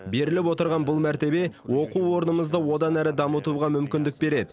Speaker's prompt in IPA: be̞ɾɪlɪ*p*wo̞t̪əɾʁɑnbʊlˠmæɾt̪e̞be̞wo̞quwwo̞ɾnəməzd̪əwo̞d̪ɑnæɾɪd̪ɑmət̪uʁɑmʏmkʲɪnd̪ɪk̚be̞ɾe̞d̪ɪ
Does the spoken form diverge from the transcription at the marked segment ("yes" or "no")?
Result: no